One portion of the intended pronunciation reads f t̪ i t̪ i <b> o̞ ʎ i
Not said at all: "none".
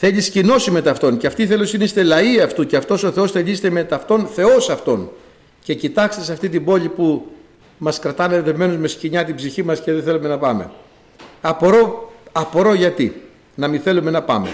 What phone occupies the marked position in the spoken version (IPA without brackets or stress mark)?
b